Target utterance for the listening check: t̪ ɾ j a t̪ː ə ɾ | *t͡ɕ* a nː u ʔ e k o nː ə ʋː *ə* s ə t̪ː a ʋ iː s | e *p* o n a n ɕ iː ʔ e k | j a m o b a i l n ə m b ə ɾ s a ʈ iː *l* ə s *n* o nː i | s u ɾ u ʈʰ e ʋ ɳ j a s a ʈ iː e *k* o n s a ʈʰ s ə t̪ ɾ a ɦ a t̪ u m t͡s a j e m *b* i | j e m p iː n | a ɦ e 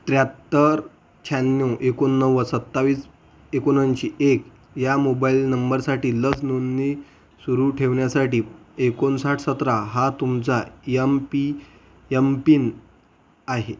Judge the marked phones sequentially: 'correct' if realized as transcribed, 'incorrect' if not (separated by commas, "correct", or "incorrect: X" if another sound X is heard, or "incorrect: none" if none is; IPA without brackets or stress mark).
incorrect: t͡ɕʰ, correct, incorrect: k, correct, correct, correct, incorrect: p